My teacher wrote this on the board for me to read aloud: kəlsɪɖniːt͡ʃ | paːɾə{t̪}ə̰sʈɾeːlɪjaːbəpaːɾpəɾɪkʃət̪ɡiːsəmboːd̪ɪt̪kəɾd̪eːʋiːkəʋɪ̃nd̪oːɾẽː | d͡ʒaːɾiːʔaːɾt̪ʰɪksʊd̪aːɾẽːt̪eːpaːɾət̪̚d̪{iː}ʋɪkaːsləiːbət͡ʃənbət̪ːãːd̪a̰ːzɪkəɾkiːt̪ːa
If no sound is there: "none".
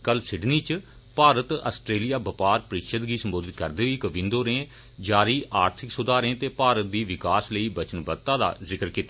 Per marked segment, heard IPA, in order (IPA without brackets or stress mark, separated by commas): t̪, iː